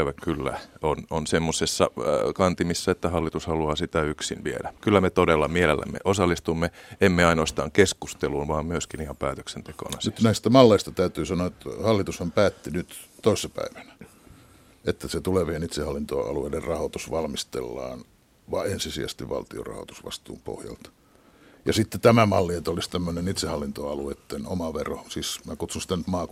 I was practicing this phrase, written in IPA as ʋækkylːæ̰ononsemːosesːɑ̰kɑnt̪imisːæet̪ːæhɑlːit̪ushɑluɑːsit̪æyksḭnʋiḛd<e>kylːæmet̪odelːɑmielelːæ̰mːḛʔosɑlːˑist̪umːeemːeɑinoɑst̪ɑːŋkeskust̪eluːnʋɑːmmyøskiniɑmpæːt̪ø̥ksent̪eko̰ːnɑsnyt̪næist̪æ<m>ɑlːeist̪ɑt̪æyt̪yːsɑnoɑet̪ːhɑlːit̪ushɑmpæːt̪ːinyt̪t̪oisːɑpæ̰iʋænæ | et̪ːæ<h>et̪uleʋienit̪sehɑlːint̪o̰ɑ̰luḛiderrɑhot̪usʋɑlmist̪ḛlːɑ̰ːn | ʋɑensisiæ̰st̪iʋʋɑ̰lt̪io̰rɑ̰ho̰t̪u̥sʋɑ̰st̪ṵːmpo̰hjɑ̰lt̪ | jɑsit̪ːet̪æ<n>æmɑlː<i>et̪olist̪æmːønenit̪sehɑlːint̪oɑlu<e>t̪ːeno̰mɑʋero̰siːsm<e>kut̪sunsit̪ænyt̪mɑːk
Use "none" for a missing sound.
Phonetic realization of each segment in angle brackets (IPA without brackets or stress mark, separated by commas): æ, m, s, m, i, e, æ